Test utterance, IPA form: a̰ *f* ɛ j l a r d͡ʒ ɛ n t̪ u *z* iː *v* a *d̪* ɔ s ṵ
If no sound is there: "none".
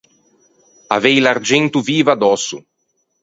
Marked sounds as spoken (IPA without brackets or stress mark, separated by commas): v, v, v, d̪